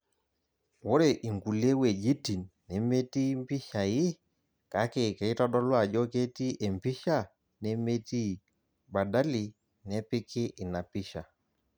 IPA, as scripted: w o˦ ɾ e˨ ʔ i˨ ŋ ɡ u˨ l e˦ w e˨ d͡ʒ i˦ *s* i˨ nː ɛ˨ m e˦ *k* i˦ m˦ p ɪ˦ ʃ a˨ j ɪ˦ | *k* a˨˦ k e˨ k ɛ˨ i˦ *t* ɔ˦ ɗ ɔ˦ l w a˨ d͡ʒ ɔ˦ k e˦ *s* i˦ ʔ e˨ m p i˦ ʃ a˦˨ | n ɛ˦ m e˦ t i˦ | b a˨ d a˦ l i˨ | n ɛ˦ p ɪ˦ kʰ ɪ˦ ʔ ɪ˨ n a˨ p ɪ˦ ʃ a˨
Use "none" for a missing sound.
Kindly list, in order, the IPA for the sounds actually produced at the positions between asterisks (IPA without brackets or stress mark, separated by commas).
t, t, k, t, t